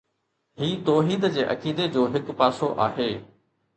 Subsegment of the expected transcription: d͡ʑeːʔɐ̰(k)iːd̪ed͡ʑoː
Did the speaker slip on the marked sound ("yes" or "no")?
no